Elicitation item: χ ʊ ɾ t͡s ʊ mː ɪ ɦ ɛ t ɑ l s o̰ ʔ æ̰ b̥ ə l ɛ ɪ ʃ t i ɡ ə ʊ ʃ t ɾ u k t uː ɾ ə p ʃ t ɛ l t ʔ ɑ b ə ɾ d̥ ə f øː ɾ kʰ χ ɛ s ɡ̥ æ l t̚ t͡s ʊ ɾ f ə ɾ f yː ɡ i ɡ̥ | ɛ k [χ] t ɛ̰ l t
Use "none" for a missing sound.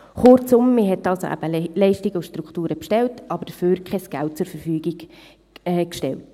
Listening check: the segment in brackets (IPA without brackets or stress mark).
ʃ